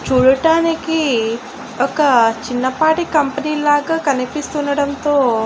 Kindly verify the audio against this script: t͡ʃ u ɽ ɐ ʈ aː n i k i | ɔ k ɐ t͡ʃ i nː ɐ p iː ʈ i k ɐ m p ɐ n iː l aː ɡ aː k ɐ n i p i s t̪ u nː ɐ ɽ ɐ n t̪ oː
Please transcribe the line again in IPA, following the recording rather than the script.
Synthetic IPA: t͡ʃ uː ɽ ɐ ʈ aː n i k i | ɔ k ɐ t͡ʃ i nː ɐ p aː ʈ i k ɐ m p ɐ n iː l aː ɡ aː k ɐ n i p i s t̪ u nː ɐ ɽ ɐ n t̪ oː